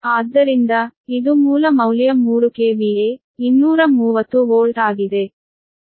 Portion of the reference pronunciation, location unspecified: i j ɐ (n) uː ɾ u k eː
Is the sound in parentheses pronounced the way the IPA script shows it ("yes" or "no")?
no